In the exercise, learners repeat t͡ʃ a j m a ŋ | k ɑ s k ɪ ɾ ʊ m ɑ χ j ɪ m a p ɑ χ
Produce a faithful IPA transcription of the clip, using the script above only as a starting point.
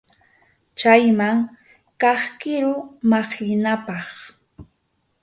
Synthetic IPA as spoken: t͡ʃ a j m a ŋ | k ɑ χ k ɪ ɾ ʊ m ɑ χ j ɪ n a p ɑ χ